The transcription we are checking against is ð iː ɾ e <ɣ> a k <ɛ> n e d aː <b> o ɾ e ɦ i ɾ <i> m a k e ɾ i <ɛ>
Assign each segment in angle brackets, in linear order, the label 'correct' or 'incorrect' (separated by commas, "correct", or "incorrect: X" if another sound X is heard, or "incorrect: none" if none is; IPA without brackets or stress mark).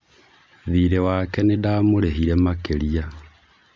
incorrect: w, correct, incorrect: m, incorrect: ɛ, incorrect: a